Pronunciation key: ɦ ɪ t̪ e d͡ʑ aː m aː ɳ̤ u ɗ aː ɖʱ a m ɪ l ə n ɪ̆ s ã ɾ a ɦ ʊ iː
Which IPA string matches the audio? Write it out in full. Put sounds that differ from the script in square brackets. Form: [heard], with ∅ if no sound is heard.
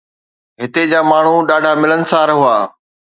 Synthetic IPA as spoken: ɦ ɪ t̪ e d͡ʑ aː m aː ɳ̤ u ɗ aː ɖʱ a m ɪ l ə n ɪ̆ s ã ɾ [ɐ] ɦ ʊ [aː]